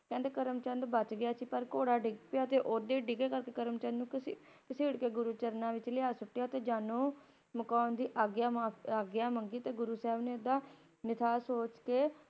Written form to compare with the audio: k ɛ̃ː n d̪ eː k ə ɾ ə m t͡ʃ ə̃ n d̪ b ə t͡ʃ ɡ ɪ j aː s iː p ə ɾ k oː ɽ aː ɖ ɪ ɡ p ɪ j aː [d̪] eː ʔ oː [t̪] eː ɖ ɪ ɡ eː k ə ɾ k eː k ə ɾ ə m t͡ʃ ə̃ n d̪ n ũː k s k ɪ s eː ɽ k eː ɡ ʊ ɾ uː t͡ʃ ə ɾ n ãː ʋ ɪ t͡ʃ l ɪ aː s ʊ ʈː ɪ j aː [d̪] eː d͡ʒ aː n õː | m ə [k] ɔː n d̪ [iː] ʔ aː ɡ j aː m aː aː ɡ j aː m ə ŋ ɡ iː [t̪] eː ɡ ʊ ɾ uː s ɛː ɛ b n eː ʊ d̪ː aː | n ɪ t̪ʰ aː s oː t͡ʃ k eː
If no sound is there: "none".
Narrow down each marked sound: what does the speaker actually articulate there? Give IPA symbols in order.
t̪, d̪, t̪, k, iː, t̪

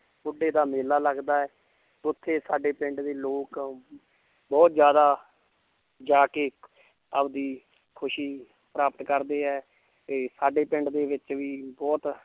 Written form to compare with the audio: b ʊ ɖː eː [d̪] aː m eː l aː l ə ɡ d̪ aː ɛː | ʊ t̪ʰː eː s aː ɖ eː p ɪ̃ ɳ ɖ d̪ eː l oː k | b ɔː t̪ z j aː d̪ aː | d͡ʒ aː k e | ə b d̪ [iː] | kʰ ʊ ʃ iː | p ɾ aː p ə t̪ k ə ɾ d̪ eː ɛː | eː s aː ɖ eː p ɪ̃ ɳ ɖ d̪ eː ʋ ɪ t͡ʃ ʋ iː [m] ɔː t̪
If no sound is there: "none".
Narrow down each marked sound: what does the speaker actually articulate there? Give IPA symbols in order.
d̪, iː, b

